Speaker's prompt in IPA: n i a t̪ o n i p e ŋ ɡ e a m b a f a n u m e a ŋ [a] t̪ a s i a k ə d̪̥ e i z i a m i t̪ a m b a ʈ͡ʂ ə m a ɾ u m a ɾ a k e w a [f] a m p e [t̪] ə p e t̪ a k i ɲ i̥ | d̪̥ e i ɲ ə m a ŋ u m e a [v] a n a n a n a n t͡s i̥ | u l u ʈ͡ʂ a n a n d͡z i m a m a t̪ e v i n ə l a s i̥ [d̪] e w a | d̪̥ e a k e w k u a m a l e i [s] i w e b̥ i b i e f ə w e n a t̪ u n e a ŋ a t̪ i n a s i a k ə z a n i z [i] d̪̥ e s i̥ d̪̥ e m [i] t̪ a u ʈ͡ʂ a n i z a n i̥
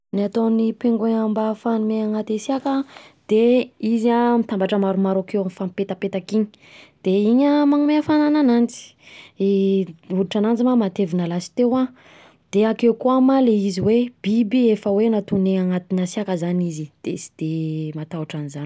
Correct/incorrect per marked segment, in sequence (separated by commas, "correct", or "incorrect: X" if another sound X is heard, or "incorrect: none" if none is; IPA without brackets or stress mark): correct, correct, correct, incorrect: f, incorrect: t̪, incorrect: z, correct, incorrect: a